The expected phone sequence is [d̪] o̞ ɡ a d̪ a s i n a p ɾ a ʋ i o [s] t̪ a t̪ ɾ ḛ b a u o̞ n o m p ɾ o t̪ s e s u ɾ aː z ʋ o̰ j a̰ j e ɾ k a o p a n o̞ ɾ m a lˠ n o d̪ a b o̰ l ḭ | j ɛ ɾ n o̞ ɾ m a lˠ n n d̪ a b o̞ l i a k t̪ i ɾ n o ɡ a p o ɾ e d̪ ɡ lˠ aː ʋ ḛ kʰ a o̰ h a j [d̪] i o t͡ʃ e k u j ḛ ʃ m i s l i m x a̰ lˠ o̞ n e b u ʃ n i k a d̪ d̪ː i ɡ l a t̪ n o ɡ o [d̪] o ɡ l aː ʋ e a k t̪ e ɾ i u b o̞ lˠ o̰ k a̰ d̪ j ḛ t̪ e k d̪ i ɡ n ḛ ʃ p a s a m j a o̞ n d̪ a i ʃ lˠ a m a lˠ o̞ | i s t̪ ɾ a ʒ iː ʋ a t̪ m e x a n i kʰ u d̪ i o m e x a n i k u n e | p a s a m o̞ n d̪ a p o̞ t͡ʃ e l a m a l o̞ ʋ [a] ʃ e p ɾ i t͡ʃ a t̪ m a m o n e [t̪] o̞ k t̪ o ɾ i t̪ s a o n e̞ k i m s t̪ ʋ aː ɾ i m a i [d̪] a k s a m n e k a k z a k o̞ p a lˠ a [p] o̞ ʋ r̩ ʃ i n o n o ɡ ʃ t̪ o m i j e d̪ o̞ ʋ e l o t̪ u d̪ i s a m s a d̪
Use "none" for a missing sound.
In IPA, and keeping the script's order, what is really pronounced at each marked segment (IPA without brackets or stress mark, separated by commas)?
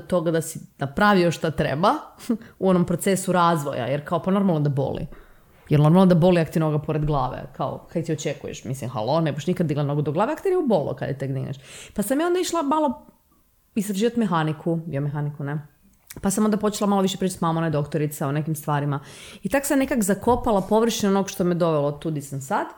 t̪, ʃ, t̪, d̪, i, d̪, t̪, p